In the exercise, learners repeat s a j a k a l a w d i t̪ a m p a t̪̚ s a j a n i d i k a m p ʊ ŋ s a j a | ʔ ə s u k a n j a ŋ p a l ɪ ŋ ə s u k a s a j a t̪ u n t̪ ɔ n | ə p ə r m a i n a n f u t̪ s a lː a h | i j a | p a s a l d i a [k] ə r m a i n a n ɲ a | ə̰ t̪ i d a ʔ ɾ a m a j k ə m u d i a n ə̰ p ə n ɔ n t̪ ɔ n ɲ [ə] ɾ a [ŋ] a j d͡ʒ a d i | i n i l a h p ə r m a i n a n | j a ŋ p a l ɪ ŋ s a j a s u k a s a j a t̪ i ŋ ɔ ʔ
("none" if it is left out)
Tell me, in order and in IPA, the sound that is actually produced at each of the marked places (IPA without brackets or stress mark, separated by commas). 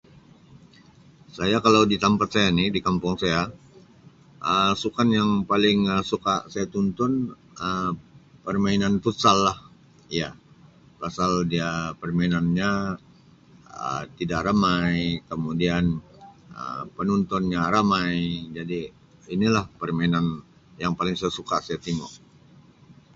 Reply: p, a, m